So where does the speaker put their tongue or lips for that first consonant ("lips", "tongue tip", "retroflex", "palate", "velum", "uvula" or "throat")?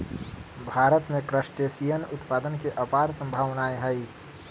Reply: lips